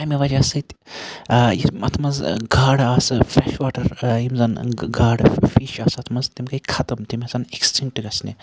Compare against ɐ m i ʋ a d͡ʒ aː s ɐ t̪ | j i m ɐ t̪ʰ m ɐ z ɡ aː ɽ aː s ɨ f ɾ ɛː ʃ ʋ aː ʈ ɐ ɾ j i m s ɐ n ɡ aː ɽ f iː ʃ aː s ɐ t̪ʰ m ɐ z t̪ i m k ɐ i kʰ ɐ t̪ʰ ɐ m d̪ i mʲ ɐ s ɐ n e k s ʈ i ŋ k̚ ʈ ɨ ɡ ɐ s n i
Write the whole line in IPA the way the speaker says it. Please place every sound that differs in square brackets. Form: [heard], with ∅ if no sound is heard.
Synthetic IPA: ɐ m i ʋ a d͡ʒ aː s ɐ t̪ | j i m ɐ t̪ʰ m ɐ z ɡ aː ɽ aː s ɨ f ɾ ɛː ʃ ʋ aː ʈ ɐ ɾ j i m [z] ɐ n ɡ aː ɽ f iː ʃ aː s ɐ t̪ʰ m ɐ z t̪ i m k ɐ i kʰ ɐ [t̪] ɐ m [t̪] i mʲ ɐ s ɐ n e k s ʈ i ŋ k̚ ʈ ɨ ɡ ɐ s n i

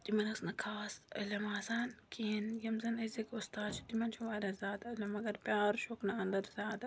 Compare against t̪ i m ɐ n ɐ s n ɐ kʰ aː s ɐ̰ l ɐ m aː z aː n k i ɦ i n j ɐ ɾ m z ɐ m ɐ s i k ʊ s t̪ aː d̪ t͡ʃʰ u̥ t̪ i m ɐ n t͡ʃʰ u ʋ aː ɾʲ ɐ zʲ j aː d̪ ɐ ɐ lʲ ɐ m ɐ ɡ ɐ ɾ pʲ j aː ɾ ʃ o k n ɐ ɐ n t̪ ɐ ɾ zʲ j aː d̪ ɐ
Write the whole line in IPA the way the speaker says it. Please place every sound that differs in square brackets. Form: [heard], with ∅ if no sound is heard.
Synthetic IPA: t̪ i m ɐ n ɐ s n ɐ kʰ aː s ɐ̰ l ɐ m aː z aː n k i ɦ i n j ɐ [∅] m z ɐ [n] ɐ [z] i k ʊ s t̪ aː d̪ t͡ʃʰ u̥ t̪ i m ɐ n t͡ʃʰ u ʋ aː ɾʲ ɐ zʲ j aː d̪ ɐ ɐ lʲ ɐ m ɐ ɡ ɐ ɾ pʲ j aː ɾ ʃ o k n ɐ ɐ n [d̪] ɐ ɾ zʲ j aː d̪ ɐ

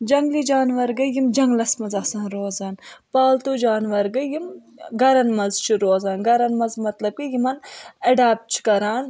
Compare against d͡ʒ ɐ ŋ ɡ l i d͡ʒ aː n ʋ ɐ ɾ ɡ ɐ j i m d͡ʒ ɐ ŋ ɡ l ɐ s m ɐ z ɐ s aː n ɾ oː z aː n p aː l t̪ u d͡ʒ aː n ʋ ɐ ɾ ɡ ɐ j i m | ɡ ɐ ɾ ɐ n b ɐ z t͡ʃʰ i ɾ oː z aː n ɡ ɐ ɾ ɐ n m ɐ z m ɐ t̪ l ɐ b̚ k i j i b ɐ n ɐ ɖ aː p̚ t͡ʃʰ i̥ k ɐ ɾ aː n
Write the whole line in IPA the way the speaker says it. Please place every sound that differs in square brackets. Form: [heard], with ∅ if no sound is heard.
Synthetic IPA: d͡ʒ ɐ ŋ ɡ l i d͡ʒ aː n ʋ ɐ ɾ ɡ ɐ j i m d͡ʒ ɐ ŋ ɡ l ɐ s m ɐ z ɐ s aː n ɾ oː z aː n p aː l t̪ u d͡ʒ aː n ʋ ɐ ɾ ɡ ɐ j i m | ɡ ɐ ɾ ɐ n [m] ɐ z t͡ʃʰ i ɾ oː z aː n ɡ ɐ ɾ ɐ n m ɐ z m ɐ t̪ l ɐ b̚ k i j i [m] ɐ n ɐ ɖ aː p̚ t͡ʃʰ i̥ k ɐ ɾ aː n

